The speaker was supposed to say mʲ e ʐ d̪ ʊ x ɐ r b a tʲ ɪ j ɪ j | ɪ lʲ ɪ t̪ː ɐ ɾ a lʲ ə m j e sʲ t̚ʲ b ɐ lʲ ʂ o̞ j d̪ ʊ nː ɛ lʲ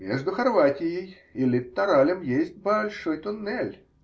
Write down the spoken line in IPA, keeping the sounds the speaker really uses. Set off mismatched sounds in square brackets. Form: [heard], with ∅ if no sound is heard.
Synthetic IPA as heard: mʲ e ʐ d̪ ʊ x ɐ r [v] a tʲ ɪ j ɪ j | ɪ lʲ ɪ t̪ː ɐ ɾ a lʲ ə m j e sʲ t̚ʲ b ɐ lʲ ʂ o̞ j [t̪] ʊ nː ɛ lʲ